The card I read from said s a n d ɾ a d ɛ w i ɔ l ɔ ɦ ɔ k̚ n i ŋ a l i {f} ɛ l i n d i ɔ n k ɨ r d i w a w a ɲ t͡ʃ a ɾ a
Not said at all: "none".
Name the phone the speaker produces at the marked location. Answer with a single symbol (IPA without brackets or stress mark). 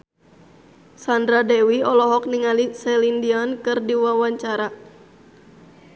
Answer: s